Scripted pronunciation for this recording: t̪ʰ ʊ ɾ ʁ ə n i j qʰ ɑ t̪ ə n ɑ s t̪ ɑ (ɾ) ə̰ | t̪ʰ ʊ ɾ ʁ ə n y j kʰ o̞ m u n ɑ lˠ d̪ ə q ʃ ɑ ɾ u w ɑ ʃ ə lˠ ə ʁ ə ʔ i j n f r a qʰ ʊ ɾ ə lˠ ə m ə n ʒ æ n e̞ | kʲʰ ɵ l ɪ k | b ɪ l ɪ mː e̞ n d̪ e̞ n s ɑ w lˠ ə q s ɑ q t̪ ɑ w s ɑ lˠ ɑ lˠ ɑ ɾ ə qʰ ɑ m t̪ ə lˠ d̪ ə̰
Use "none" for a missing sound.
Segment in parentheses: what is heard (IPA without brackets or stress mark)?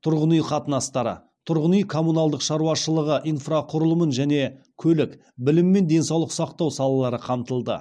ɾ